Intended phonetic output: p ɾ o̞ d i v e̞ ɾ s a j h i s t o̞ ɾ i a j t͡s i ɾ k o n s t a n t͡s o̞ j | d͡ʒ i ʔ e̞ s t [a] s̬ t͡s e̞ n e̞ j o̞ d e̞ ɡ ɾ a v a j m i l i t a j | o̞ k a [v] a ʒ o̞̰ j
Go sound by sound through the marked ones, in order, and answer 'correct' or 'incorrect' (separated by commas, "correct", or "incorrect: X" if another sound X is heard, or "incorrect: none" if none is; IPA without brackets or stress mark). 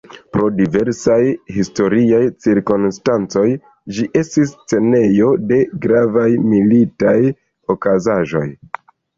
incorrect: i, incorrect: z